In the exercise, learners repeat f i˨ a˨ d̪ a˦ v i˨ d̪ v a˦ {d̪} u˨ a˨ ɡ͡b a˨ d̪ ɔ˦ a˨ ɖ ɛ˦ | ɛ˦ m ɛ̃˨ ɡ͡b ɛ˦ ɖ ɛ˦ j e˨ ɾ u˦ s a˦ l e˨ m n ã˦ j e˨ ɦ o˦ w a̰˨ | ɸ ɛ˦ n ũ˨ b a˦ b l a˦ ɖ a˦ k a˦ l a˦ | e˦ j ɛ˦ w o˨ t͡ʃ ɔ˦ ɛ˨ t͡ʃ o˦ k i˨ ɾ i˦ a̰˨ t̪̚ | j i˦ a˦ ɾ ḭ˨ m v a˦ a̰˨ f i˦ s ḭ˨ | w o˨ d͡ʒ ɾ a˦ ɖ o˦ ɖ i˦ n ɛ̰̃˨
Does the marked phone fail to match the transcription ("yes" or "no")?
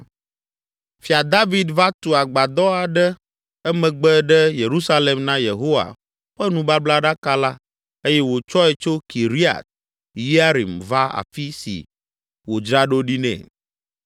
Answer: yes